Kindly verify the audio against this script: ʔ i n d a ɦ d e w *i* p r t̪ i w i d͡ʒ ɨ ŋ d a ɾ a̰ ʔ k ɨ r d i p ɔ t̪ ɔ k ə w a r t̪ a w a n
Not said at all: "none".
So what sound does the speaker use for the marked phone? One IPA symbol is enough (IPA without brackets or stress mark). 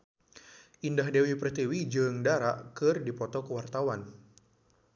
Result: i